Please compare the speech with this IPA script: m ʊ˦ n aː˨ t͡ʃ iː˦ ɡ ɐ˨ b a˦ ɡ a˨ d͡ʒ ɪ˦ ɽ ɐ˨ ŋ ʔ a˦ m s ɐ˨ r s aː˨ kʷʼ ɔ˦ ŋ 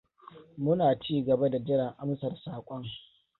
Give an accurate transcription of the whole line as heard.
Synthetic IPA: m ʊ˦ n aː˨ t͡ʃ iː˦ ɡ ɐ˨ b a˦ d a˨ d͡ʒ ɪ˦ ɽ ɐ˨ ŋ ʔ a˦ m s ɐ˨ r s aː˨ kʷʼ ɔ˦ ŋ